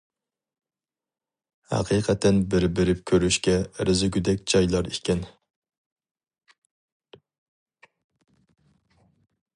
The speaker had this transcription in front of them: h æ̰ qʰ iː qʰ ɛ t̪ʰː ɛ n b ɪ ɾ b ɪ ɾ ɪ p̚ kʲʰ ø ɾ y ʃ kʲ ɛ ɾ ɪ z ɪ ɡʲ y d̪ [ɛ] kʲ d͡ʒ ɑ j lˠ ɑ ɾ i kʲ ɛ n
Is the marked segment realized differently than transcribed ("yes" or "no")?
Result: no